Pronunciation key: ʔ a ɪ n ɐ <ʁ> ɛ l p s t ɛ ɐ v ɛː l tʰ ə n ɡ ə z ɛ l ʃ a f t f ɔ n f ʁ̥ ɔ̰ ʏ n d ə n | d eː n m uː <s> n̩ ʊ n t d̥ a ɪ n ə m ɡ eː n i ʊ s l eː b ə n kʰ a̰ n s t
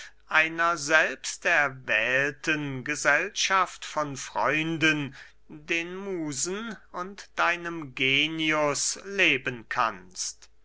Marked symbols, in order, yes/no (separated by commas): no, no